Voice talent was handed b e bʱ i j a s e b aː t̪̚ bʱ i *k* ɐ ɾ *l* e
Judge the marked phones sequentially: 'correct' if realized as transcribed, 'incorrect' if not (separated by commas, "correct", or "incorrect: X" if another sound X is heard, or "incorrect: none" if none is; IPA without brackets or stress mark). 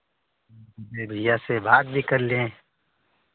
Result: correct, correct